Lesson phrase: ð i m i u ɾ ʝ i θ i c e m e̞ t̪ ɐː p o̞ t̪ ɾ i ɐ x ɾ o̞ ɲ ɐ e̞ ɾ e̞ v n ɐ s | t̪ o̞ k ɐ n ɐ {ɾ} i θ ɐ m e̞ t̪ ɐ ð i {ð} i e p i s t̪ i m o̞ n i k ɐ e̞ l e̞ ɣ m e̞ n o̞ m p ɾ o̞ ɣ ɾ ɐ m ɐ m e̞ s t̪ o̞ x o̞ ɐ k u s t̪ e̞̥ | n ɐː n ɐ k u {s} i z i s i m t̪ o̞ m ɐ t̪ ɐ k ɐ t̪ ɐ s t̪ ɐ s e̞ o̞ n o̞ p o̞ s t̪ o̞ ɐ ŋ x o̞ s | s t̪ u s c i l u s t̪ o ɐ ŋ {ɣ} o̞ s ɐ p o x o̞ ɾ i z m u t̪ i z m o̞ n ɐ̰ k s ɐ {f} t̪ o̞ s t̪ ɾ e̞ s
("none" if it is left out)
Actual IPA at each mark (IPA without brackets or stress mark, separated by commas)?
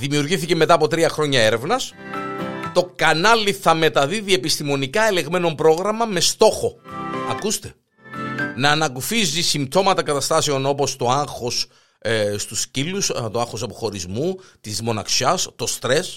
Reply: l, ð, f, x, s